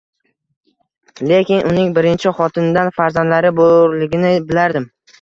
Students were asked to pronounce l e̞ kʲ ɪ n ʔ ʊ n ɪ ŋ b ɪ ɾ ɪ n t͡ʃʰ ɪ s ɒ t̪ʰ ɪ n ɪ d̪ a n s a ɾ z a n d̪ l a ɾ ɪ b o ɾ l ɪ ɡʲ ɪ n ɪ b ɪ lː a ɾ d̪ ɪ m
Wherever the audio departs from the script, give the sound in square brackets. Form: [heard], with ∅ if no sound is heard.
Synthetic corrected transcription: l e̞ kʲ ɪ n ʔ ʊ n ɪ ŋ b ɪ ɾ ɪ n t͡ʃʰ ɪ [χ] ɒ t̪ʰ ɪ n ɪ d̪ a n [f] a ɾ z a n d̪ l a ɾ ɪ b o ɾ l ɪ ɡʲ ɪ n ɪ b ɪ [l] a ɾ d̪ ɪ m